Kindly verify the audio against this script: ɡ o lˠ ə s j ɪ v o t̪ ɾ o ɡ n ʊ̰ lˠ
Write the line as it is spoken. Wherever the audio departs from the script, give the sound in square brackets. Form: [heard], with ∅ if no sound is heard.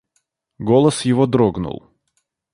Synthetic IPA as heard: ɡ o lˠ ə s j ɪ v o [d̪] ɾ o ɡ n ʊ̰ lˠ